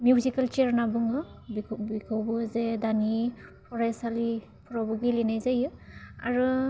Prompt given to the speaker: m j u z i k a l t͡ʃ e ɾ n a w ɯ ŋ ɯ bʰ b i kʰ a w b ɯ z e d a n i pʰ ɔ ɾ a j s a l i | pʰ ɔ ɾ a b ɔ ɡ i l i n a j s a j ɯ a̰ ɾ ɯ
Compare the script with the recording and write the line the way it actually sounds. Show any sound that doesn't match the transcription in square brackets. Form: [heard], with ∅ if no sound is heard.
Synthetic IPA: m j u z i k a l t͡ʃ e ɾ n a [b] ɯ ŋ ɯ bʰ b i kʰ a w b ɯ z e d a n i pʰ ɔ ɾ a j s a l i | pʰ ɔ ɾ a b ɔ ɡ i l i n a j [z] a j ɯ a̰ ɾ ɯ